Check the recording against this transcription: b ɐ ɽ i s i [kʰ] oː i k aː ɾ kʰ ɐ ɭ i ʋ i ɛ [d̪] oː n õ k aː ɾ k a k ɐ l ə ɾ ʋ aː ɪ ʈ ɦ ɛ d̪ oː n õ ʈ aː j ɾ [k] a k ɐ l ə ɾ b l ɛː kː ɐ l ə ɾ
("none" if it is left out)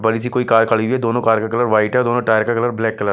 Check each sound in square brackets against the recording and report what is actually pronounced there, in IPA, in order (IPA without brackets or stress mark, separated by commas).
k, d̪, k